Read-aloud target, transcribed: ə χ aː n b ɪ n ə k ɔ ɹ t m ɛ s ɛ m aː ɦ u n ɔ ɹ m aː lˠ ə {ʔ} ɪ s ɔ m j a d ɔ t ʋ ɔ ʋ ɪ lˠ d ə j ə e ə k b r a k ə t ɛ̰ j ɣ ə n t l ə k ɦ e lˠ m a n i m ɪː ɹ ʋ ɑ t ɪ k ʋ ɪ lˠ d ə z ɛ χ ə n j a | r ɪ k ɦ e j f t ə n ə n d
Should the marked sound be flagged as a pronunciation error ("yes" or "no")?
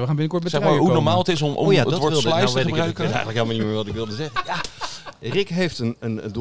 yes